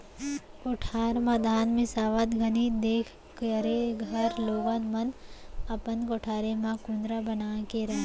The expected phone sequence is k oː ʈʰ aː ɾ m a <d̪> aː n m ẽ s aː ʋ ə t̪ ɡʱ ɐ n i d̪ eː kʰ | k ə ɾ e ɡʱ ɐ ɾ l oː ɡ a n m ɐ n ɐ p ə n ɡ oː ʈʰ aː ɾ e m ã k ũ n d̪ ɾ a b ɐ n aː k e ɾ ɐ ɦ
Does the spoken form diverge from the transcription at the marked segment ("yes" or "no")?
no